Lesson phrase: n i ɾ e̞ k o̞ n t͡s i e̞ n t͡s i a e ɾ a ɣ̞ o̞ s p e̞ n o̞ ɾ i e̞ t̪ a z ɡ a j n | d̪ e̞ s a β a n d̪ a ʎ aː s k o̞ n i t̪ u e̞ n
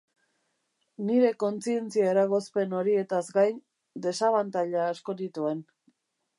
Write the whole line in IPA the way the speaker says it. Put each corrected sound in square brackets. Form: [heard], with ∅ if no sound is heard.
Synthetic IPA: n i ɾ e̞ k o̞ n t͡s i e̞ n t͡s i a e ɾ a ɣ̞ o̞ s p e̞ n o̞ ɾ i e̞ t̪ a z ɡ a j n | d̪ e̞ s a β a n [t̪] a ʎ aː s k o̞ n i t̪ u e̞ n